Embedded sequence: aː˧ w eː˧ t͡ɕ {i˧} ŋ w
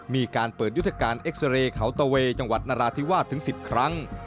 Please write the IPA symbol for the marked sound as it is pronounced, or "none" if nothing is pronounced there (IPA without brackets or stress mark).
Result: a˧